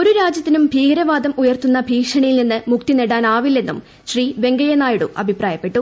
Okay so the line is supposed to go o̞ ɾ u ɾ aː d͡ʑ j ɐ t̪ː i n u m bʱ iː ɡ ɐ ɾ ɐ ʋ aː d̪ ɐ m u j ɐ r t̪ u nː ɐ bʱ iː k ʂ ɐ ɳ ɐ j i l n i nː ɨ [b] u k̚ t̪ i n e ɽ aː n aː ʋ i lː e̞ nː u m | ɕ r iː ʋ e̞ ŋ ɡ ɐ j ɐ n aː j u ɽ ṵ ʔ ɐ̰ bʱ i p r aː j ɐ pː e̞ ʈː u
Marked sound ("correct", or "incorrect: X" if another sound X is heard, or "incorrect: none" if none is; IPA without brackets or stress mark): incorrect: m